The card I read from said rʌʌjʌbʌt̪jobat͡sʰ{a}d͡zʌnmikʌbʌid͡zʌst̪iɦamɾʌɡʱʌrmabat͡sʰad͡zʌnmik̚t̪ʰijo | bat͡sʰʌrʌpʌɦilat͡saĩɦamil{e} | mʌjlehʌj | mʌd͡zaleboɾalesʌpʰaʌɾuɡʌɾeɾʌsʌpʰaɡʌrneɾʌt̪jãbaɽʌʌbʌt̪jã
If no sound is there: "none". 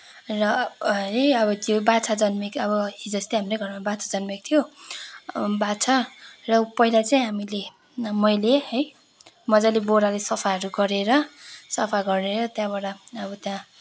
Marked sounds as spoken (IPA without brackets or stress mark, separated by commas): a, e